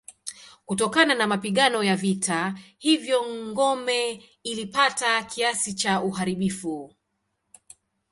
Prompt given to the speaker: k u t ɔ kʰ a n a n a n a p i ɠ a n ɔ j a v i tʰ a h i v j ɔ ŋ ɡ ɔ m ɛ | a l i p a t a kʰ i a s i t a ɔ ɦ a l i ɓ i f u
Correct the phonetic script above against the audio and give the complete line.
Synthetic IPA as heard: k u t ɔ k a n a n a m a p i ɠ a n ɔ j a v i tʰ a h i v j ɔ ŋ ɡ ɔ m ɛ | i l i p a t a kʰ i a s i t͡ʃ a u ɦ a ɾ i ɓ i f u

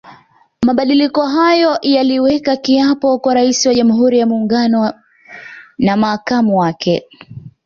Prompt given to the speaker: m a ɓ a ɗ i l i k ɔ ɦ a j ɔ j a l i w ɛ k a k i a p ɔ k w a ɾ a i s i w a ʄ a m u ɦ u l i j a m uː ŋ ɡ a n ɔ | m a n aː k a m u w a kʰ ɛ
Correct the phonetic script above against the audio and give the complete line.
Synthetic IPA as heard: m a ɓ a ɗ i l i k ɔ ɦ a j ɔ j a l i w ɛ k a k i a p ɔ k w a ɾ a i s i w a ʄ a m u ɦ u ɾ i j a m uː ŋ ɡ a n ɔ | n a m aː k a m u w a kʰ ɛ

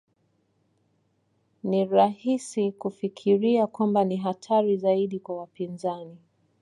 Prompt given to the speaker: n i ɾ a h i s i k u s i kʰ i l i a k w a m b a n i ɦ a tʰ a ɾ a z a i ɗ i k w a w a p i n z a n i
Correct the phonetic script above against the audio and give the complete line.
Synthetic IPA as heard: n i ɾ a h i s i k u f i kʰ i ɾ i a k w a m b a n i ɦ a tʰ a ɾ i z a i ɗ i k w a w a p i n z a n i

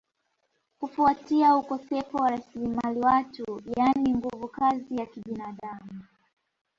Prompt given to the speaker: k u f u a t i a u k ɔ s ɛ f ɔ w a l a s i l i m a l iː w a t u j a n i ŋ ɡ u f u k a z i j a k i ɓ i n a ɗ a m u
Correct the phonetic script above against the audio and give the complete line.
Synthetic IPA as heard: k u f u a t i a u k ɔ s ɛ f ɔ w a ɾ a s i l i m a l i w a t u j a n i ŋ ɡ u v u k a z i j a k i ɓ i n a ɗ a m u

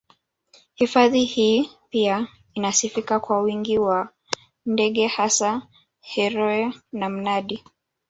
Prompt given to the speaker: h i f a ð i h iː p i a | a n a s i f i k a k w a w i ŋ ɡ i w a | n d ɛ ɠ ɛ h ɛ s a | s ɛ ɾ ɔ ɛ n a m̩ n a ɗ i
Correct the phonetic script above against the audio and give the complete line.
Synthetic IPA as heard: h i f a ð i h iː p i a | i n a s i f i k a k w a w i ŋ ɡ i w a | n d ɛ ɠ ɛ h a s a | h ɛ ɾ ɔ ɛ n a m̩ n a ɗ i

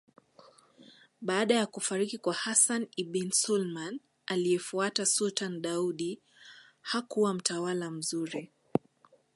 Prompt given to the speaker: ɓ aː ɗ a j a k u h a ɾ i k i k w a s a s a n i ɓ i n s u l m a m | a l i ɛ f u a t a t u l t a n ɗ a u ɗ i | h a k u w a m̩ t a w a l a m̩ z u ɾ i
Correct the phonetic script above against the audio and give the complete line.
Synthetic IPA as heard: ɓ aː ɗ a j a k u f a ɾ i k i k w a h a s a n i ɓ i n s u l m a n | a l i ɛ f u a t a s u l t a n ɗ a u ɗ i | h a k u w a m̩ t a w a l a m̩ z u ɾ i

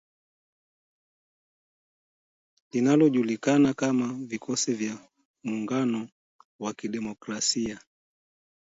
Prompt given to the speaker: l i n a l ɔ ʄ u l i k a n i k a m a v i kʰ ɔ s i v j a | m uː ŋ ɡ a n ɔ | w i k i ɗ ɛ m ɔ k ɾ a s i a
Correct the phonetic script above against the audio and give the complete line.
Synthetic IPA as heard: l i n a l ɔ ʄ u l i k a n a k a m a v i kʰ ɔ s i v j a | m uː ŋ ɡ a n ɔ | w a k i ɗ ɛ m ɔ k ɾ a s i a

